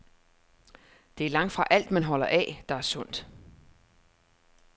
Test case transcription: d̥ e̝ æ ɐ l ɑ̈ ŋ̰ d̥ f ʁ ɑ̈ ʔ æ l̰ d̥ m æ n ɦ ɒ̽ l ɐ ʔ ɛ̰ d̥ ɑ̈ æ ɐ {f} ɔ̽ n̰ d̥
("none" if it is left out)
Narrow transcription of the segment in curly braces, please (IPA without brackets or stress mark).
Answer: s